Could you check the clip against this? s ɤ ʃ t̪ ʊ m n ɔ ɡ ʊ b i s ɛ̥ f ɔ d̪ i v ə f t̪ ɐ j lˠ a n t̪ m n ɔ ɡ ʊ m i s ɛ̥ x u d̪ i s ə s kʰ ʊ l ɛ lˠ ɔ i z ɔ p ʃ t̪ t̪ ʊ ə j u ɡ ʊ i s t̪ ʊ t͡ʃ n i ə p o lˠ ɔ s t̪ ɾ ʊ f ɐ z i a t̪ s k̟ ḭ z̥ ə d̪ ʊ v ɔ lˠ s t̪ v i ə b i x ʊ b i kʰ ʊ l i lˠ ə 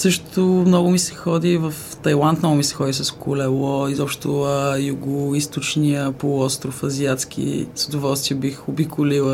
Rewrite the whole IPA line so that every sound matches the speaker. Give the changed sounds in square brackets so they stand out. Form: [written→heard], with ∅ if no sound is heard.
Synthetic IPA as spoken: s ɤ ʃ t̪ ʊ m n ɔ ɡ ʊ [b→m] i s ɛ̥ [f→x] ɔ d̪ i v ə f t̪ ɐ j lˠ a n t̪ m n ɔ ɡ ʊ m i s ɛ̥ x [u→ɔ] d̪ i s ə s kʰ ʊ l ɛ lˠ ɔ i z ɔ p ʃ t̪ t̪ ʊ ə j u ɡ ʊ i s t̪ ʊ t͡ʃ n i ə p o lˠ ɔ s t̪ ɾ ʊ f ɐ z i a t̪ s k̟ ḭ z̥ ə d̪ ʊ v ɔ lˠ s t̪ v i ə b i x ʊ b i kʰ ʊ l i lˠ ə